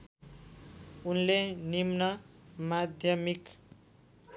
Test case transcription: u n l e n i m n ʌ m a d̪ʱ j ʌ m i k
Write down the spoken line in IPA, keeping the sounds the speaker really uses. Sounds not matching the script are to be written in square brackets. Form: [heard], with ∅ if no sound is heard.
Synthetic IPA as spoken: u n l e n i m n ʌ m a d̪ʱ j ʌ m i k